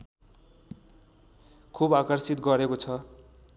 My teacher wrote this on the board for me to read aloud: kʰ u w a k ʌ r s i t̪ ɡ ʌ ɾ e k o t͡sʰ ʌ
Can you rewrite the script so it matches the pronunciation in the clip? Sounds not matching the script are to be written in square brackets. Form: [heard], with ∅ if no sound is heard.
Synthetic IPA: kʰ u [b] a k ʌ r s i t̪ ɡ ʌ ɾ e k o t͡sʰ ʌ